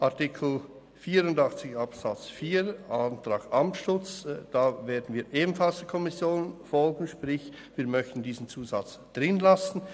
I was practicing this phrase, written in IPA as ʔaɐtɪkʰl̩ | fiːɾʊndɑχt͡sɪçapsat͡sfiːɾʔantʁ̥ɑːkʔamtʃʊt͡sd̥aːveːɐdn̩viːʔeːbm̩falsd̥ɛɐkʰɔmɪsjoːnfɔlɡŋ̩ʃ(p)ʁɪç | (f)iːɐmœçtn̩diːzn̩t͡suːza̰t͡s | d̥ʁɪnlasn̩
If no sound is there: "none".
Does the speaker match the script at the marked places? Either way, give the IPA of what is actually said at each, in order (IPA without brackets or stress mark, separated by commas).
p, v